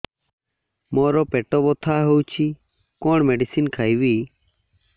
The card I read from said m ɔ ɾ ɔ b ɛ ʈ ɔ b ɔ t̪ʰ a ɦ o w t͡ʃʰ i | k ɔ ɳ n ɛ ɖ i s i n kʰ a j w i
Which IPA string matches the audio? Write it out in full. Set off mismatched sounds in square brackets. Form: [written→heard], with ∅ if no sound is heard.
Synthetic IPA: m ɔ ɾ ɔ [b→p] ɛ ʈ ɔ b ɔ t̪ʰ a ɦ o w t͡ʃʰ i | k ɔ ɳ [n→m] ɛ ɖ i s i n kʰ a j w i